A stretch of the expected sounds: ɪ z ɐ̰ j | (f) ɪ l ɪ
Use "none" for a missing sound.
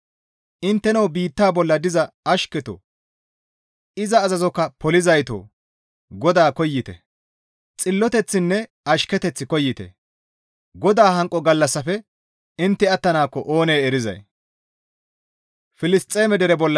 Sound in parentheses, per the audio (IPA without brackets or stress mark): f